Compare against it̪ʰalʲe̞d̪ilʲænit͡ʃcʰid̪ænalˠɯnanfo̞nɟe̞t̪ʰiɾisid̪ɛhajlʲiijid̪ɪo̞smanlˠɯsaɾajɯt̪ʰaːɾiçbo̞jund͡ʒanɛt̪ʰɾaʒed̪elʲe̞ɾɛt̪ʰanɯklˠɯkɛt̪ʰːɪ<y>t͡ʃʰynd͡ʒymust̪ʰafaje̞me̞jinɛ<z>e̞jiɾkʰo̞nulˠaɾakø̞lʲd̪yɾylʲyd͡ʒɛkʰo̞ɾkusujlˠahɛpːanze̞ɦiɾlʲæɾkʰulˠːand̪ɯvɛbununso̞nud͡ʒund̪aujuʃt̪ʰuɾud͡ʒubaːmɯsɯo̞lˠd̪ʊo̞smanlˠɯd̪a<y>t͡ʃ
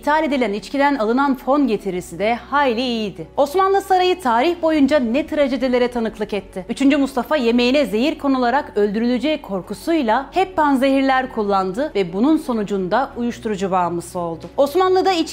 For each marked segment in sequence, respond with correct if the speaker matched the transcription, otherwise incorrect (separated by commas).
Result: correct, correct, incorrect